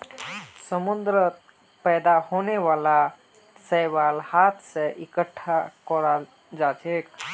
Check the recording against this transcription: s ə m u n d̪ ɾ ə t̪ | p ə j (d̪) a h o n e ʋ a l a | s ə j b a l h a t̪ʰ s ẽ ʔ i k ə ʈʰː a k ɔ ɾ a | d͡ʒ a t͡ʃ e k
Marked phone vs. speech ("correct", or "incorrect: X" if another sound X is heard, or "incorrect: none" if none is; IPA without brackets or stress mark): correct